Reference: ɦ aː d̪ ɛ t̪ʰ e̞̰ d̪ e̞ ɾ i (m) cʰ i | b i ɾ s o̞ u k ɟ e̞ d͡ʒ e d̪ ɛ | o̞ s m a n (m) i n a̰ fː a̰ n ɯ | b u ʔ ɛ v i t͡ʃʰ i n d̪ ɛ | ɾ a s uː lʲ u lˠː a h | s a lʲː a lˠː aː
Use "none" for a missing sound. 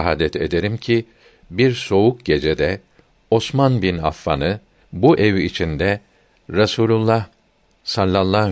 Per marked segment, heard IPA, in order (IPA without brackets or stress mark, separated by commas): m, b